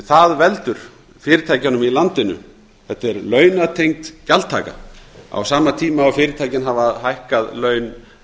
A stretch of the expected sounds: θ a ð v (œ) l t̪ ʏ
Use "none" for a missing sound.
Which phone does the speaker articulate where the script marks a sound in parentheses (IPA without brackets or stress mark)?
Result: ɛ